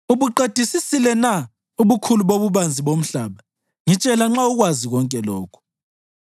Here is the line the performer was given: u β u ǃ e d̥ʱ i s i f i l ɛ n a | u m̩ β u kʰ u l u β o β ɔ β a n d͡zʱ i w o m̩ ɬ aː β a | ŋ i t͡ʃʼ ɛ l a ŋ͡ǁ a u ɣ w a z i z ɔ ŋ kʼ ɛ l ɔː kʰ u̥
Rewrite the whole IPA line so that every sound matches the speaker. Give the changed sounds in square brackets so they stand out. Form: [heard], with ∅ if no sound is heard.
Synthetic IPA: u β u ǃ e d̥ʱ i s i [s] i l ɛ n a | u [∅] β u kʰ u l u β o β [u] β a n d͡zʱ i [β] o m̩ ɬ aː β a | ŋ i t͡ʃʼ ɛ l a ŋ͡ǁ a u ɣ w a z i [ɣ] ɔ ŋ kʼ ɛ l ɔː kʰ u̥